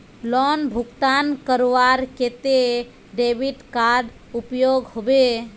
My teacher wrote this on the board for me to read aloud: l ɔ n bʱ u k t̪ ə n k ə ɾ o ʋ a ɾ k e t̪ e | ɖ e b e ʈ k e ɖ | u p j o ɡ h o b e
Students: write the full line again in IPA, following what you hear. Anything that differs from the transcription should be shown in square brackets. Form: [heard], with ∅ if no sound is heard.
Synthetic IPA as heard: l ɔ n bʱ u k t̪ [a] n k ə ɾ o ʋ a ɾ k e t̪ e | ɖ e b [i] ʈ k [a] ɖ | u p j o ɡ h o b e